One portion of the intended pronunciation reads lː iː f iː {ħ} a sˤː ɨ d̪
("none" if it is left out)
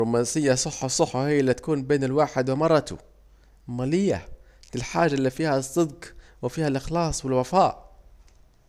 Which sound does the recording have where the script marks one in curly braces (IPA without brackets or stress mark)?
h